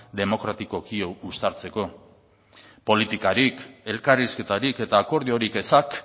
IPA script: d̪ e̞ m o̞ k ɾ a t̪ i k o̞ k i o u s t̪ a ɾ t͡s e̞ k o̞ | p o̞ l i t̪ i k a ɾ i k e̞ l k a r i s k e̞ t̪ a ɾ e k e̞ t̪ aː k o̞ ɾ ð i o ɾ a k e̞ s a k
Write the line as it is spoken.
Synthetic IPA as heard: d̪ e̞ m o̞ k ɾ a t̪ i k o̞ k i o u s t̪ a ɾ t͡s e̞ k o̞ | p o̞ l i t̪ i k a ɾ i k e̞ l k a r i s k e̞ t̪ a ɾ i k e̞ t̪ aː k o̞ ɾ ð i o ɾ i k e̞ s a k